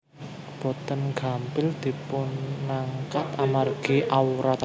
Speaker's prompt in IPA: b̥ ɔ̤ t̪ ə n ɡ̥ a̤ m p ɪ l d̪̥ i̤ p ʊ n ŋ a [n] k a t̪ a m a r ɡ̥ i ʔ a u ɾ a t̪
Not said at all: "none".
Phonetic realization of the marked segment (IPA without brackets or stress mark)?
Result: ŋ